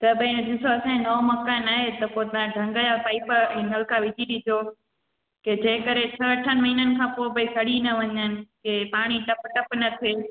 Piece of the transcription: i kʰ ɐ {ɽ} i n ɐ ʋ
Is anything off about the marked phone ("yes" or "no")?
no